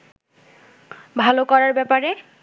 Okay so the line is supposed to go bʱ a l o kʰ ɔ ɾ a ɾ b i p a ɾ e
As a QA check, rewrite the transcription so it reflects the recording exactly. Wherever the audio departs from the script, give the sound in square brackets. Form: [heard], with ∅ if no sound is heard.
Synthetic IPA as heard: bʱ a l o [k] ɔ [ɹ] a [ɹ] b [ɛ] p a [ɹ] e